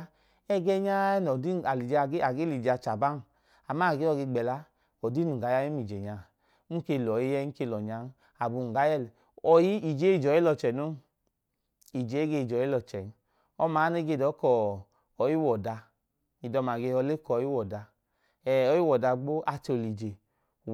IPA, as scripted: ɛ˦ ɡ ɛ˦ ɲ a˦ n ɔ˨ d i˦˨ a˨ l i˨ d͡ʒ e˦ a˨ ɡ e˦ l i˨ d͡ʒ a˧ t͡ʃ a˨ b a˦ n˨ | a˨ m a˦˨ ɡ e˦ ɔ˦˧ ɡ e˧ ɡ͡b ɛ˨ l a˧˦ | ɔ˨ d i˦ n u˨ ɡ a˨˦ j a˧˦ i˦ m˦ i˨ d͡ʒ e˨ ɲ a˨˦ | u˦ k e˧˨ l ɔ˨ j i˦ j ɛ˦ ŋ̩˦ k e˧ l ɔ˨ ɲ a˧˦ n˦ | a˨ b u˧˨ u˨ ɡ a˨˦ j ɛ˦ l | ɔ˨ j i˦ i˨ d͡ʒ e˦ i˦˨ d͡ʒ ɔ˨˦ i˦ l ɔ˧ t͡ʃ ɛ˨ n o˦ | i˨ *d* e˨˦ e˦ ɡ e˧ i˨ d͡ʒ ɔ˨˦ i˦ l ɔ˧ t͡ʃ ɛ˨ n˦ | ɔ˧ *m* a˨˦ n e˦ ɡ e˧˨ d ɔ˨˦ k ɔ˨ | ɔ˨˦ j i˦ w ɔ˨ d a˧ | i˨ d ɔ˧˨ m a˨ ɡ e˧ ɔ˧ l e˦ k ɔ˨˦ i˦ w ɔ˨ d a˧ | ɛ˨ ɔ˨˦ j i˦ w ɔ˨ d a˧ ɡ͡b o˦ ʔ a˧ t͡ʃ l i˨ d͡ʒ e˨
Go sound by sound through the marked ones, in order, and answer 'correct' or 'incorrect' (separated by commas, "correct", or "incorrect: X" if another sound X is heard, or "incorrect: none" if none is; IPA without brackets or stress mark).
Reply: incorrect: d͡ʒ, correct